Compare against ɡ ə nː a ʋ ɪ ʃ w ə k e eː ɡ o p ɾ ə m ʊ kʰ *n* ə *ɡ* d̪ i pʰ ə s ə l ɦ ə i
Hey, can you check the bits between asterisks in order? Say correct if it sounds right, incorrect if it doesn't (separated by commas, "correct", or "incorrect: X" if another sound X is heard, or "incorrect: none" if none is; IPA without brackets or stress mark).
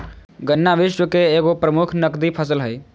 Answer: correct, incorrect: k